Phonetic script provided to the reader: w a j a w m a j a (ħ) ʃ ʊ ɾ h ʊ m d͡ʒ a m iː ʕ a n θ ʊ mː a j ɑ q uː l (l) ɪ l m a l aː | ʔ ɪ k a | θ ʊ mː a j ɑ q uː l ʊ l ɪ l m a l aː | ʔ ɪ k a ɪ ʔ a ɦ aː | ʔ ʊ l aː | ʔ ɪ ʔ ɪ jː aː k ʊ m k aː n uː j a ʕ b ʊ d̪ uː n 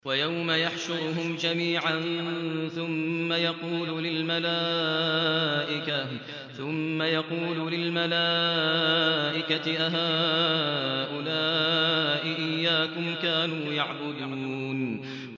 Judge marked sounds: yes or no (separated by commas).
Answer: yes, yes